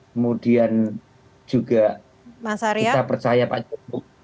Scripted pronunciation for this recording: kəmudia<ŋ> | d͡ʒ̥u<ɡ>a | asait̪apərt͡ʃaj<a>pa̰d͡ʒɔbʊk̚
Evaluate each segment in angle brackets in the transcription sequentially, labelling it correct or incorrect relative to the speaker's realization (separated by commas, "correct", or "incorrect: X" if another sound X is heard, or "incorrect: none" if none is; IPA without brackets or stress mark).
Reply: incorrect: n, correct, correct